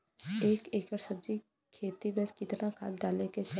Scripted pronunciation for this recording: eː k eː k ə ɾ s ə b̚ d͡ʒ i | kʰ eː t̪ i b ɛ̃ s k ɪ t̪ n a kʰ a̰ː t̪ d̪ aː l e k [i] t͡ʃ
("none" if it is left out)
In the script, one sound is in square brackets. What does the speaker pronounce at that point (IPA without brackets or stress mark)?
e